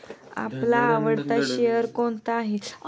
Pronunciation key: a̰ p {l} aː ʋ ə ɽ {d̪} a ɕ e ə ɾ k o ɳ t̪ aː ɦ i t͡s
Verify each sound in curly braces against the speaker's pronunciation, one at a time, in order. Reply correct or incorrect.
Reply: correct, incorrect

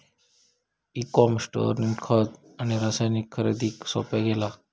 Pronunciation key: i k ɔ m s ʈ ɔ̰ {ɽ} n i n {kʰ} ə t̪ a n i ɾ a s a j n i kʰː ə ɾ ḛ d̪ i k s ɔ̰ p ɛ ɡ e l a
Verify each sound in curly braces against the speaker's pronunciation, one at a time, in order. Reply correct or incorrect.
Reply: incorrect, correct

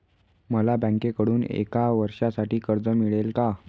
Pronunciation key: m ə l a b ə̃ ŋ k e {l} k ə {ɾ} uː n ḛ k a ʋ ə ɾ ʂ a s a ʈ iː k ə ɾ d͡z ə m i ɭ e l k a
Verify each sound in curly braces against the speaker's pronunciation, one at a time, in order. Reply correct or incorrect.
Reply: incorrect, incorrect

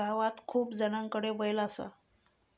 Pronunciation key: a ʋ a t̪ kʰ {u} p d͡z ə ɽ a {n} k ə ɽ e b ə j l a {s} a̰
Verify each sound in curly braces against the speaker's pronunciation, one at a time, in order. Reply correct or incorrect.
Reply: incorrect, incorrect, correct

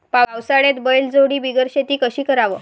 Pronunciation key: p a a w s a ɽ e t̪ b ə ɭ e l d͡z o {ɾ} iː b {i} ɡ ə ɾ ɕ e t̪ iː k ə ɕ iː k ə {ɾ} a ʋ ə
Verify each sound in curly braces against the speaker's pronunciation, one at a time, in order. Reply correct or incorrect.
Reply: incorrect, correct, correct

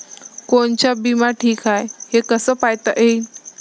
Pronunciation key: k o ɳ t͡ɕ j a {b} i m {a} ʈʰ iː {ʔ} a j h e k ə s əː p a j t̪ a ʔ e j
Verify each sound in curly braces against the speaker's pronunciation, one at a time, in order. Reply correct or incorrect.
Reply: correct, correct, incorrect

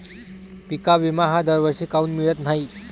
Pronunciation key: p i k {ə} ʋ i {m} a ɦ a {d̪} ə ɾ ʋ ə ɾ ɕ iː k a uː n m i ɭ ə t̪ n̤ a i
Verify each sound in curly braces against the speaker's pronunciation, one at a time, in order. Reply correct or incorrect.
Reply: incorrect, correct, correct

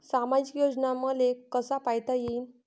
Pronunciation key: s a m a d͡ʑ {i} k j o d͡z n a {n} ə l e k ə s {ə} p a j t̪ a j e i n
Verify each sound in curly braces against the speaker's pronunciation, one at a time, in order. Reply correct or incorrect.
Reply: correct, incorrect, incorrect

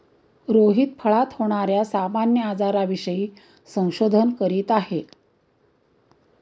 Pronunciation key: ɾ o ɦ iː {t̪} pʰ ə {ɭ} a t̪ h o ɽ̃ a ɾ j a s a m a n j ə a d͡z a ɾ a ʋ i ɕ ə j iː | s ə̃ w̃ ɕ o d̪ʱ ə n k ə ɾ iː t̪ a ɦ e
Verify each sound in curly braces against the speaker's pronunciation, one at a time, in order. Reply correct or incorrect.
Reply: correct, correct

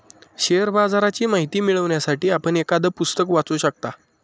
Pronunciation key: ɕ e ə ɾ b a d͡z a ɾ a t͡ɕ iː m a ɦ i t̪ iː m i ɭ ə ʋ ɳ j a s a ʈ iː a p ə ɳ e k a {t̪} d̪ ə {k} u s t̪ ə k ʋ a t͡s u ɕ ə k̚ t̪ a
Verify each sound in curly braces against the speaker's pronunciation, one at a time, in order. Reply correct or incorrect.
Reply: incorrect, incorrect

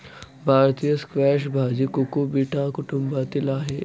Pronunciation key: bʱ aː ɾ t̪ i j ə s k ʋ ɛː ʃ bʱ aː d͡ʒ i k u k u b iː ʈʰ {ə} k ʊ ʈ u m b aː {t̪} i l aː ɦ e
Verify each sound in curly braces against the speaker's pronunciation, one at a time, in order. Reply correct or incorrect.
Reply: incorrect, correct

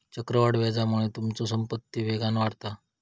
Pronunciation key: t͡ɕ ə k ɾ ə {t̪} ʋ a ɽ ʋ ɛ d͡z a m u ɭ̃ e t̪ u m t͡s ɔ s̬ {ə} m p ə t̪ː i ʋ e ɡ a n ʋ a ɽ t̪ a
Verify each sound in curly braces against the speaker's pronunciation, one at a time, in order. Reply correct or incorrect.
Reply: incorrect, correct

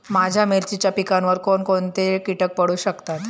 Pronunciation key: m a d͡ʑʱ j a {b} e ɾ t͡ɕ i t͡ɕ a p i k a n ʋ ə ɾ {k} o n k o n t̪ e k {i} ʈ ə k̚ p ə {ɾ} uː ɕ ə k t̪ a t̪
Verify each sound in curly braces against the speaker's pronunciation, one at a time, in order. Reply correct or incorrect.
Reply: incorrect, correct, correct, incorrect

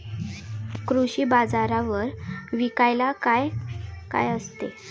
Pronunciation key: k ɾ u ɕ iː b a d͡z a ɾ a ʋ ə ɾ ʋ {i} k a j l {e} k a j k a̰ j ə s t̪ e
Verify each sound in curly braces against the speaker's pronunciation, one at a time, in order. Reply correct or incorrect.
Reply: correct, incorrect

